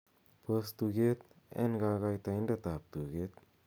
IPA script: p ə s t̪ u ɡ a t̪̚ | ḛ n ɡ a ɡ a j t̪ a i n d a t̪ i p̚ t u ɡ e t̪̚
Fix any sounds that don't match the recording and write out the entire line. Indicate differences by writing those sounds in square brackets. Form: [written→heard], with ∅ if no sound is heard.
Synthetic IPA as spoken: p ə s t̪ u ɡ [a→e] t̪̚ | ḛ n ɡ a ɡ a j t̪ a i n d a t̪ [i→a] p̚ t u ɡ e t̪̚

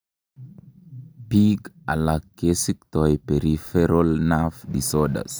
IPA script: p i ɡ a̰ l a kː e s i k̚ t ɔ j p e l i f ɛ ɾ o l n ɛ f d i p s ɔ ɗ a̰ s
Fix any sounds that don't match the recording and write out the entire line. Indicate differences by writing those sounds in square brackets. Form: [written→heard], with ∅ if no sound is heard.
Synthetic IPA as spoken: p i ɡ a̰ l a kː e s i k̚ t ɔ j p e [l→ɾ] i f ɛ ɾ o l n [ɛ→a] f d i [p→∅] s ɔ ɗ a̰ s

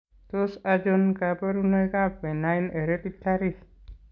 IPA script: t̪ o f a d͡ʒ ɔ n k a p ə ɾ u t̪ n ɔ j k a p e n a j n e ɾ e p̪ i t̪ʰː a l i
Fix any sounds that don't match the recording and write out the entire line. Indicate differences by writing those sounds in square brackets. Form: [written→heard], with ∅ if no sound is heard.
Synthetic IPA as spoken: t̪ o [f→s] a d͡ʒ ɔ n k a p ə ɾ u [t̪→∅] n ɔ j k a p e n a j n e ɾ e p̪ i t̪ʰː a [l→ɾ] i

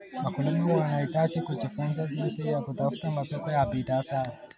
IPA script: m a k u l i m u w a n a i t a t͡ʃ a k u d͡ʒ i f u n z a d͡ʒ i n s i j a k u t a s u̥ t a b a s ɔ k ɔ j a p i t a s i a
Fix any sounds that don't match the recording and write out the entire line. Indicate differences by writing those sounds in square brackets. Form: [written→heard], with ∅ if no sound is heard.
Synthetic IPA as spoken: m a k u l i m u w a n a i t a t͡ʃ [a→i] k u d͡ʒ i f u n z a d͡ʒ i n s i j a k u t a [s→f] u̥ t a [b→m] a s ɔ k ɔ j a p i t a s [i→a] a

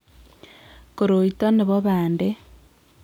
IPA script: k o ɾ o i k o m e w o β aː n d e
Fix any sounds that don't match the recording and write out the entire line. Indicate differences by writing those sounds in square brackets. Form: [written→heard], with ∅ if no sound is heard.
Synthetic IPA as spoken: k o ɾ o i [k→t] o [m→n] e [w→β] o β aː n d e

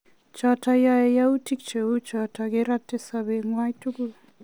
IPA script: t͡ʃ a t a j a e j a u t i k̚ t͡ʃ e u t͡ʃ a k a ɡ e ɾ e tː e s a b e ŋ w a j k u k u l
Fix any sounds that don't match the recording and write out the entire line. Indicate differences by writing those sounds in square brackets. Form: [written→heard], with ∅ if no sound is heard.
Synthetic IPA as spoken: t͡ʃ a t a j a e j a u t i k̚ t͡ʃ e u t͡ʃ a [k→t] a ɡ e ɾ [e→a] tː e s a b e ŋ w a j [k→t] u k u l

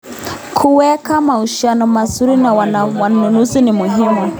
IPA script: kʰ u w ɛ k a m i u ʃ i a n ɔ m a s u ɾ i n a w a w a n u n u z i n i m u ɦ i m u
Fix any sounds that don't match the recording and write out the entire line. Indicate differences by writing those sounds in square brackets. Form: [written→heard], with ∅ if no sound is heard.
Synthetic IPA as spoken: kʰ u w ɛ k a m [i→a] u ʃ i a n ɔ m a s u ɾ i n a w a w a n u n u z i n i m u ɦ i m u

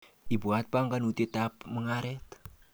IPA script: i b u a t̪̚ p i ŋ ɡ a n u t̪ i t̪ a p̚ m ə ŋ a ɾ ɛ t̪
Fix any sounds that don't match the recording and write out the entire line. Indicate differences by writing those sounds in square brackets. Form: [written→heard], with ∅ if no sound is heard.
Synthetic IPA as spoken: i b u a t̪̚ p [i→a] ŋ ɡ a n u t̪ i t̪ a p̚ m ə ŋ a ɾ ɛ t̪

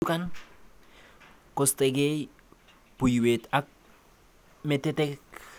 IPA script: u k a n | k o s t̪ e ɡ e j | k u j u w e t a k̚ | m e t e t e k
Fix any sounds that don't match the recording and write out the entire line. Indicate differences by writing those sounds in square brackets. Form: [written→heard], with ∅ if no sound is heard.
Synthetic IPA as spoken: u k a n | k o s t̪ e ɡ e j | [k→p] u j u w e t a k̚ | m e t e t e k

